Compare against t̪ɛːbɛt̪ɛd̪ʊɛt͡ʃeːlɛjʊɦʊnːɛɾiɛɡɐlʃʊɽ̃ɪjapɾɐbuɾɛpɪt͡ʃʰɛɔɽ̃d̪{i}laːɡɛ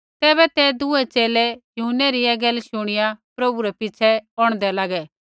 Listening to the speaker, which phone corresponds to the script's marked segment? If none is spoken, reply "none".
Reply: ɛ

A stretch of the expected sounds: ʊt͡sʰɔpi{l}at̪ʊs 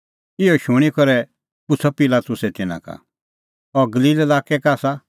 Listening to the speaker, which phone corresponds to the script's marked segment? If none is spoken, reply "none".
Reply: l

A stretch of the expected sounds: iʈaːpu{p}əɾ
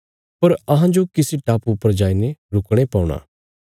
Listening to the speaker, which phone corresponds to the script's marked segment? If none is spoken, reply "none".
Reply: p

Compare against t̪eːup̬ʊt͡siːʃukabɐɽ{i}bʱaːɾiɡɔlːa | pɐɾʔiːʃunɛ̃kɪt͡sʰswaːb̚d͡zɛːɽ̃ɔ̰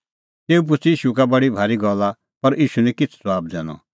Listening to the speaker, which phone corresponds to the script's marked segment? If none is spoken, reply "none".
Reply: i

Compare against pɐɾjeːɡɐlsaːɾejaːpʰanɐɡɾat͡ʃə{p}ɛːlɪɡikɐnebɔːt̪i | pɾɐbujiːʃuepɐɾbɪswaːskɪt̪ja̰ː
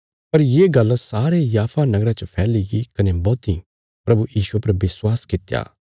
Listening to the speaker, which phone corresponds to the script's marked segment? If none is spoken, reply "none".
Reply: pʰ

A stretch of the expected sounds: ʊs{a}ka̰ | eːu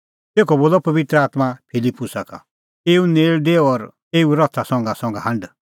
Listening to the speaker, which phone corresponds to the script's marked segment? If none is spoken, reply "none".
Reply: a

